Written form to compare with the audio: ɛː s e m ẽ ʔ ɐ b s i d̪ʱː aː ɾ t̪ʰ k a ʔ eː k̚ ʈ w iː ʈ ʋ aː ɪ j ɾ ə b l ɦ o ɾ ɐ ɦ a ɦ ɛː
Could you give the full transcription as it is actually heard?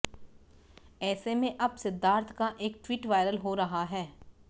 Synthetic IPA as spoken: ɛː s e m ẽ ʔ ɐ b s ɪ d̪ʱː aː ɾ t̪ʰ k a ʔ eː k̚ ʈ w iː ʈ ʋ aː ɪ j ɾ ə l ɦ o ɾ ɐ ɦ a ɦ ɛː